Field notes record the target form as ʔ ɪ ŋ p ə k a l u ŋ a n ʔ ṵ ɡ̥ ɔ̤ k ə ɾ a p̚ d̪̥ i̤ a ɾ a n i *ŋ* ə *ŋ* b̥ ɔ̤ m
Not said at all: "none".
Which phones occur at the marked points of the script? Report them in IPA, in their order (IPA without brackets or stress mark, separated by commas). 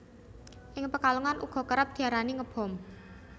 ŋ, none